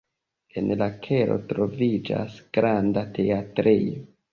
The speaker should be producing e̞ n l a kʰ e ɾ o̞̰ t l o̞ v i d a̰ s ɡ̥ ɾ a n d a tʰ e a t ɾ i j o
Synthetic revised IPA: e̞ n l a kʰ e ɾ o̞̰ t ɾ o̞ v i d͡ʒ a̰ s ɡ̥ ɾ a n d a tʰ e a t ɾ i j o